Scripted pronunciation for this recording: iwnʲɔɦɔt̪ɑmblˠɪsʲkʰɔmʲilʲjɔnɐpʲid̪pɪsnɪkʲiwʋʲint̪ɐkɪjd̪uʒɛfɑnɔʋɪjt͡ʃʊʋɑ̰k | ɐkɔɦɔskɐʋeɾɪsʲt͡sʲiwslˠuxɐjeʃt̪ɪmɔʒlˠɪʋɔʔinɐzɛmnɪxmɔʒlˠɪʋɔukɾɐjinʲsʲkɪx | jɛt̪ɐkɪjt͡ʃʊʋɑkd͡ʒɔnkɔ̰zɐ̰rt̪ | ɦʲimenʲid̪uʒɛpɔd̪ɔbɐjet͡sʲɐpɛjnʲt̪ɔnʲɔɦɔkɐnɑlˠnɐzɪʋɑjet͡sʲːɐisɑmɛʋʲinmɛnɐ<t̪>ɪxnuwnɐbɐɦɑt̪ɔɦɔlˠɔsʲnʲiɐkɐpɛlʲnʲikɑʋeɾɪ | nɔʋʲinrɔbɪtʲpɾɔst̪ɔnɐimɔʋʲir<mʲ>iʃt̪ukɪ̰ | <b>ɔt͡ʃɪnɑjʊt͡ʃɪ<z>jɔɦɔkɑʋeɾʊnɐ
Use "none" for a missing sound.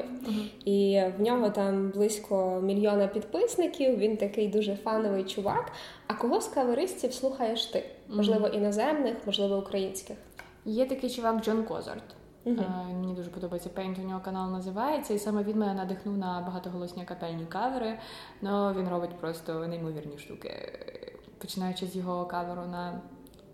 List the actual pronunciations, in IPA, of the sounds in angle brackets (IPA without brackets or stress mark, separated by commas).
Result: d̪, nʲ, p, z